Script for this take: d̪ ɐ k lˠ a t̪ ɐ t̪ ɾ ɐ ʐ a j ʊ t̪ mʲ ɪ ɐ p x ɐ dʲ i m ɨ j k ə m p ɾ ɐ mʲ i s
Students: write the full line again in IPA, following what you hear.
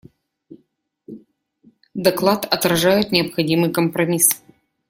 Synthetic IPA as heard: d̪ ɐ k lˠ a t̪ ɐ t̪ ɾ ɐ ʐ a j ʊ t̪ nʲ ɪ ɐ p x ɐ dʲ i m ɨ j k ə m p ɾ ɐ mʲ i s